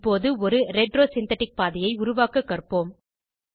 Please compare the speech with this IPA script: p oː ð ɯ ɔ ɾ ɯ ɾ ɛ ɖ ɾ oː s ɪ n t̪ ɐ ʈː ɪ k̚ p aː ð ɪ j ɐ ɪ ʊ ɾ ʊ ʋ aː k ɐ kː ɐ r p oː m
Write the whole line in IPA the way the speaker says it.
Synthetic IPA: p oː ð ɯ ɔ ɾ ɯ ɾ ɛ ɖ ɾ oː s ɪ n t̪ ɐ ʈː ɪ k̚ p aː ð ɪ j ɐ ɪ ʊ ɾ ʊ ʋ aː k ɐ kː ɐ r p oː m

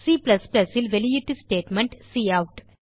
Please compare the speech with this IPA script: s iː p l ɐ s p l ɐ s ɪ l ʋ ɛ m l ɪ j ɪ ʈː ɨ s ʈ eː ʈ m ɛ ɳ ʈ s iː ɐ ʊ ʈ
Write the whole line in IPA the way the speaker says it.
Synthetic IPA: s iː p l ɐ s p l ɐ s ɪ l ʋ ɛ l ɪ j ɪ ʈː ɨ s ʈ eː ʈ m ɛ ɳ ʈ s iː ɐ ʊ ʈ

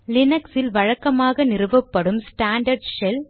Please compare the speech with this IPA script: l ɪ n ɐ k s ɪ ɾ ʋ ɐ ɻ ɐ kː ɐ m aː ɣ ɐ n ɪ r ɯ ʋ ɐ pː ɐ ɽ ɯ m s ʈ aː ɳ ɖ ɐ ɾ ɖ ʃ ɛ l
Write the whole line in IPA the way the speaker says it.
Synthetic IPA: l ɪ n ɐ k s ɪ l ʋ ɐ ɻ ɐ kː ɐ m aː ɣ ɐ n ɪ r ɯ ʋ ɐ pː ɐ ɽ ɯ m s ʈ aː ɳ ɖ ɐ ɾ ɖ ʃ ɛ l

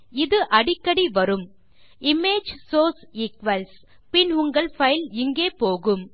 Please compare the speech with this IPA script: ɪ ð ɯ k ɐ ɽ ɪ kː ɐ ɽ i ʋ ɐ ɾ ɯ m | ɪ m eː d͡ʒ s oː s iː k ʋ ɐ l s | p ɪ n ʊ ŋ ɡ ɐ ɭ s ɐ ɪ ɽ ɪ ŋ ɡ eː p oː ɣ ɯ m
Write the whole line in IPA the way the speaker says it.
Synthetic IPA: ɪ ð ɯ ʔ ɐ ɽ ɪ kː ɐ ɽ i ʋ ɐ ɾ ɯ m | ɪ m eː d͡ʒ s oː s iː k ʋ ɐ l s | p ɪ n ʊ ŋ ɡ ɐ ɭ f ɐ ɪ l ɪ ŋ ɡ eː p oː ɣ ɯ m

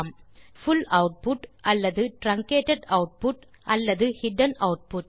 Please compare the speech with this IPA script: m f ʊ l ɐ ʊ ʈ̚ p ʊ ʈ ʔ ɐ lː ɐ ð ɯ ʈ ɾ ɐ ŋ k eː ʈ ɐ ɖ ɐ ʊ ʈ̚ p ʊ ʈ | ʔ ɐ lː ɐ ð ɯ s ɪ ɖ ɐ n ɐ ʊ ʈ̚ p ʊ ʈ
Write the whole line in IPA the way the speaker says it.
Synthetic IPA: m f ʊ l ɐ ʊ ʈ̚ p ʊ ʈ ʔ ɐ lː ɐ ð ɯ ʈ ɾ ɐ ŋ k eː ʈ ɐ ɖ ɐ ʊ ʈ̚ p ʊ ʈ | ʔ ɐ lː ɐ ð ɯ h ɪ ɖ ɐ n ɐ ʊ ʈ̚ p ʊ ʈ

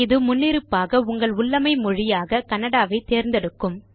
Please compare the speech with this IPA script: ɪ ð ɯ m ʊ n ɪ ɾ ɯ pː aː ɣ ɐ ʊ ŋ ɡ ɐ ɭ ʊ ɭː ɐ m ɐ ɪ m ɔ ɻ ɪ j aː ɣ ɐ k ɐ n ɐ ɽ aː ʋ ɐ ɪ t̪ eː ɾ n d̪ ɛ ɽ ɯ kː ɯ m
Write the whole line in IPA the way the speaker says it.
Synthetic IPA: ɪ ð ɯ m ʊ nː ɪ ɾ ɯ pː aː ɣ ɐ ʊ ŋ ɡ ɐ ɭ ʊ ɭː ɐ m ɐ ɪ m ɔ ɻ ɪ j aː ɣ ɐ k ɐ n ɐ ɽ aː ʋ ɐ ɪ t̪ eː ɾ n d̪ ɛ ɽ ɯ kː ɯ m

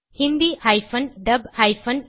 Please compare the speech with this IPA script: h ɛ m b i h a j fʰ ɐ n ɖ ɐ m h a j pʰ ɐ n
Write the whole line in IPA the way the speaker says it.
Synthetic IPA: h i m b i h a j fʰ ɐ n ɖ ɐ b h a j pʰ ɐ n

